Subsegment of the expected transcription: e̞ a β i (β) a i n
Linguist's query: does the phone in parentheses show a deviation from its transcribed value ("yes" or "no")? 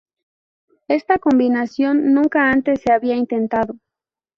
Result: yes